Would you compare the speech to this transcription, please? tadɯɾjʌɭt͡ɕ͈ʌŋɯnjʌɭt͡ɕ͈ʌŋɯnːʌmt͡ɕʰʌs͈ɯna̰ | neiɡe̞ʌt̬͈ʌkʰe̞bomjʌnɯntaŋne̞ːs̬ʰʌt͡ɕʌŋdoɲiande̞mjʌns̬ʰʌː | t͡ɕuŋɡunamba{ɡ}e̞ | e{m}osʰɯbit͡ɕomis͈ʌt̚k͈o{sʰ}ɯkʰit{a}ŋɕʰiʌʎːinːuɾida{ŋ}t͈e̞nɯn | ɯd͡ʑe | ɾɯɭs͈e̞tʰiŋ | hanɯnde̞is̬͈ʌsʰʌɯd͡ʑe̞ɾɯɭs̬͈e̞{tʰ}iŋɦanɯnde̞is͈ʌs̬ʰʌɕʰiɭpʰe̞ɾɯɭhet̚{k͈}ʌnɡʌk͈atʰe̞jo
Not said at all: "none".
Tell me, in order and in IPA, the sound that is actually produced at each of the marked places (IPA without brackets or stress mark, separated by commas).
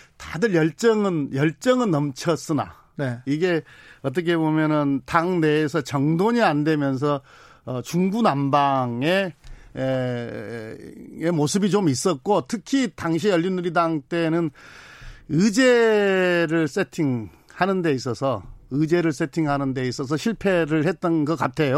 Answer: ŋ, m, tʰ, a, ŋ, tʰ, t͈